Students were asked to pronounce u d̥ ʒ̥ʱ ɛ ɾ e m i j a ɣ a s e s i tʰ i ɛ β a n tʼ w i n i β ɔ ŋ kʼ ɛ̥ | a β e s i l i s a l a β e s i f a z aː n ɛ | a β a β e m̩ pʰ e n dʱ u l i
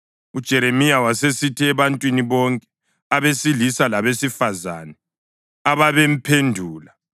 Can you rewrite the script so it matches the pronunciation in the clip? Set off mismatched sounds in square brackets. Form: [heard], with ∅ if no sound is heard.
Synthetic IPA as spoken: u d̥ ʒ̥ʱ ɛ ɾ e m i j a [w] a s e s i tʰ i ɛ β a n tʼ w i n i β ɔ ŋ kʼ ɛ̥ | a β e s i l i s a l a β e s i f a z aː n ɛ | a β a β e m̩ pʰ e n dʱ [uː] l [a]

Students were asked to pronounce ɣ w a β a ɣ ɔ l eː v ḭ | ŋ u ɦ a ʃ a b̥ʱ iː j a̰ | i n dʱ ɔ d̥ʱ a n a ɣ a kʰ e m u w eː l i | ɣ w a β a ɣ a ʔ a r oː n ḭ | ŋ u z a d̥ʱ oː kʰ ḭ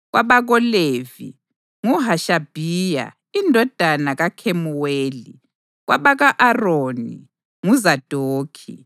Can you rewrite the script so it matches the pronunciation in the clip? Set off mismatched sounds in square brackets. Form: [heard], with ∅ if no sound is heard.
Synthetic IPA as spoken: ɣ w a β a ɣ ɔ l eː v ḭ | ŋ u ɦ a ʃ a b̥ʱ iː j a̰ | i n dʱ ɔ d̥ʱ a n a ɣ a kʰ e m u w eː l i | ɣ w a β a ɣ a ʔ a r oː n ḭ | ŋ u z a d̥ʱ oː kʰ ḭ

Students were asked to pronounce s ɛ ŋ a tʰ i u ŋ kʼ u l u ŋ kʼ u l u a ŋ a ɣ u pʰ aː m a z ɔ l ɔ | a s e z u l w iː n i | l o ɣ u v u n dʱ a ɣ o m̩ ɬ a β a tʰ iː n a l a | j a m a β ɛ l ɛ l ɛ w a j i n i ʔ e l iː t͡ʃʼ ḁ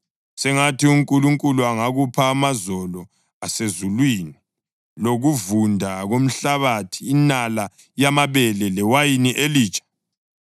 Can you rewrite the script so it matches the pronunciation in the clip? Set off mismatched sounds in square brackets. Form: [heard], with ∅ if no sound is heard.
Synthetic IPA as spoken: s ɛ ŋ a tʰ i u ŋ kʼ u l u ŋ kʼ u l u a ŋ a ɣ u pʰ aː m a z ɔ l ɔ | a s e z u l w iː n i | l o ɣ u v u n dʱ a ɣ o m̩ ɬ a β a tʰ iː n a l a | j a m a β ɛ l ɛ l ɛ w a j i n i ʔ e l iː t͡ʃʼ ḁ

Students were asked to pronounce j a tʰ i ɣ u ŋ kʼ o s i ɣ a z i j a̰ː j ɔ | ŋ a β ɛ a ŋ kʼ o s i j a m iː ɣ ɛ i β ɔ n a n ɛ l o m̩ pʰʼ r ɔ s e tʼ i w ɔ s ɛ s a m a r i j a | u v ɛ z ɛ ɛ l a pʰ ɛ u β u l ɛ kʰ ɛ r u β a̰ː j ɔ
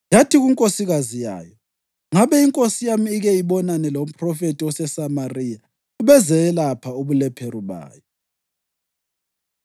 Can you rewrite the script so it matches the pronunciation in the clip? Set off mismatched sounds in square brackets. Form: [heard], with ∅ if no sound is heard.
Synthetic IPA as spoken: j a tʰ i ɣ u ŋ kʼ o s i ɣ a z i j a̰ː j ɔ | ŋ a β ɛ [i] ŋ kʼ o s i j a m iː ɣ ɛ i β ɔ n a n ɛ l o m̩ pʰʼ r ɔ [f] e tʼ i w ɔ s ɛ s a m a r i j a | u [β] ɛ z ɛ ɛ l a pʰ [a] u β u l ɛ [pʰ] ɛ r u β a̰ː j ɔ

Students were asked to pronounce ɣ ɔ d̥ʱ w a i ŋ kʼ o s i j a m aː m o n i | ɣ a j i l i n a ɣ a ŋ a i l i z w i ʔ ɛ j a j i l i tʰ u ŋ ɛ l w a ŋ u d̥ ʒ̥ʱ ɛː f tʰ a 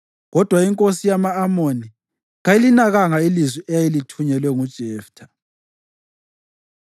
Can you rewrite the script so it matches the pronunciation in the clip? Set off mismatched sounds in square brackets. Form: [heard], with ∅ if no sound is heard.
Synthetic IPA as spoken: ɣ ɔ d̥ʱ w a i ŋ kʼ o s i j a m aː m o n i | ɣ a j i l i n a ɣ a ŋ a i l i z w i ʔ ɛ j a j i l i tʰ u [ɲ] ɛ l w [ɛ] ŋ u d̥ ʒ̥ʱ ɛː f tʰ a

